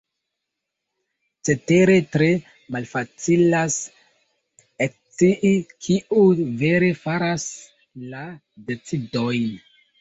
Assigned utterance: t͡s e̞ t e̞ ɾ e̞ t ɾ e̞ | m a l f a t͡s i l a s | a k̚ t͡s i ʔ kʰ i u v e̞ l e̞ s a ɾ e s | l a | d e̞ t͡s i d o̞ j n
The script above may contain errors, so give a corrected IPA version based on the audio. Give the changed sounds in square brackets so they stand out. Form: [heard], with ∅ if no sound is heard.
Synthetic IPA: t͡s e̞ t e̞ ɾ e̞ t ɾ e̞ | m a l f a t͡s i l a s | [e] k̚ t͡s i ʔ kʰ i u v e̞ [ɾ] e̞ [f] a ɾ [a] s | l a | d e̞ t͡s i d o̞ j n